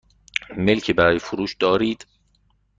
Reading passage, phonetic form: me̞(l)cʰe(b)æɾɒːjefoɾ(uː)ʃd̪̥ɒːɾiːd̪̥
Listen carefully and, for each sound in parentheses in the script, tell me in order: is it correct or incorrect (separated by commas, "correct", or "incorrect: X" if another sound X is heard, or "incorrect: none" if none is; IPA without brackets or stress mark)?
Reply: correct, correct, correct